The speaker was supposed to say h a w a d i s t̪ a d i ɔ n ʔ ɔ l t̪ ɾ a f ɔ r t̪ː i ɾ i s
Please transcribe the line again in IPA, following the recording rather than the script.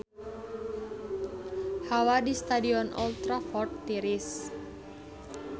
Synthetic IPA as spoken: h a w a d i s t̪ a d i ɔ n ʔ ɔ l t̪ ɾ a f ɔ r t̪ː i ɾ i s